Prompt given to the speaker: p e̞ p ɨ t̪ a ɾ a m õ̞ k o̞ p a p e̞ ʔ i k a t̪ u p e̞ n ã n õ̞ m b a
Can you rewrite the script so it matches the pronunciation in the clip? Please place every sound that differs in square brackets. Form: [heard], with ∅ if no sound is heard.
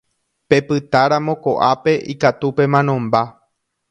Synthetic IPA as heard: p e̞ p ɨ t̪ a ɾ a m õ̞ k o̞ [ʔ] a p e̞ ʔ i k a t̪ u p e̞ [m] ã n õ̞ m b a